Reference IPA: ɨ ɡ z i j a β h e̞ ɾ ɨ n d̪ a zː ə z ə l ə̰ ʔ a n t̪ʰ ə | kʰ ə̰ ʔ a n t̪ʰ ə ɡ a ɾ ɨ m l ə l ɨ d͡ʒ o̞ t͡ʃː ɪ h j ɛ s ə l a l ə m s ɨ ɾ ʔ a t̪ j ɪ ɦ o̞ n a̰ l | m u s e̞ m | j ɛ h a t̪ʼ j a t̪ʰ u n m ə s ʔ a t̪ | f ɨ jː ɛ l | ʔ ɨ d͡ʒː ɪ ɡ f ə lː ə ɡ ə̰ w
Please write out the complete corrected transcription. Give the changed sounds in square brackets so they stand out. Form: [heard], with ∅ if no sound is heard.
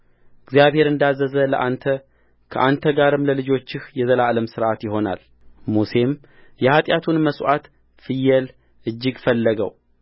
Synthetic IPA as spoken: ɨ ɡ z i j a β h e̞ ɾ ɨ n d̪ a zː ə z ə l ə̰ ʔ a n t̪ʰ ə | kʰ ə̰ ʔ a n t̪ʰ ə ɡ a ɾ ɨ m l ə l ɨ d͡ʒ o̞ t͡ʃː ɪ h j ɛ [z] ə l a l ə m s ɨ ɾ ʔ a t̪ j ɪ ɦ o̞ n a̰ l | m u s e̞ m | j ɛ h a t̪ʼ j a t̪ʰ u n m ə s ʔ a t̪ | f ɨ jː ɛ l | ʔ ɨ d͡ʒː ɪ ɡ f ə lː ə ɡ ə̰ w